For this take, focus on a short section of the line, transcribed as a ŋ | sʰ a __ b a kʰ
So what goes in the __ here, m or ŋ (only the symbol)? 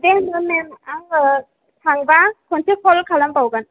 ŋ